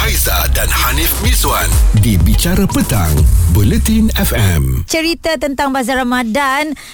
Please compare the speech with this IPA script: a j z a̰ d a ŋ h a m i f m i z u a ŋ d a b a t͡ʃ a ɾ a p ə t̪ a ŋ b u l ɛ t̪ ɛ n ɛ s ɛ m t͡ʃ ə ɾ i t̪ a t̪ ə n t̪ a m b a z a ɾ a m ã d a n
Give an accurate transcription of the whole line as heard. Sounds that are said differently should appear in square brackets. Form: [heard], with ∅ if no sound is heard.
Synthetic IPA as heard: a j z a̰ d a [n] h a [n] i f m i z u a [n] d [i] b [i] t͡ʃ a ɾ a p ə t̪ a ŋ b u l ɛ t̪ [i] n ɛ [f] ɛ m t͡ʃ ə ɾ i t̪ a t̪ ə n t̪ a [ŋ] b a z a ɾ a m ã d a n